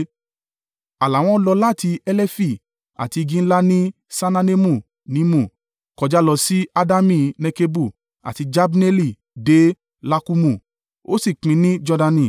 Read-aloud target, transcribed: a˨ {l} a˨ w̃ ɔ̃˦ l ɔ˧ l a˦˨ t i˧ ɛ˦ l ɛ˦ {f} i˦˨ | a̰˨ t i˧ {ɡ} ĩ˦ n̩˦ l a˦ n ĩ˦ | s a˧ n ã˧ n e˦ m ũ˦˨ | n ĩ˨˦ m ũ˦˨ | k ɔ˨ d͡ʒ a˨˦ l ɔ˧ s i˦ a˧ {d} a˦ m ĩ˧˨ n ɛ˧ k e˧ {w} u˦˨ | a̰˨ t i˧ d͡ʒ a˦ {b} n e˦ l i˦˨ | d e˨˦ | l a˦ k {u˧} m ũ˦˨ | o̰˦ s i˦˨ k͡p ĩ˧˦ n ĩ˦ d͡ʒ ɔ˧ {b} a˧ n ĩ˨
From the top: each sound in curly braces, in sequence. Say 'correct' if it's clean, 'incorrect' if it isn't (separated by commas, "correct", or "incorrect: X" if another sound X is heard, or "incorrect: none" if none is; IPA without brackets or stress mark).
correct, correct, correct, correct, incorrect: b, correct, correct, incorrect: d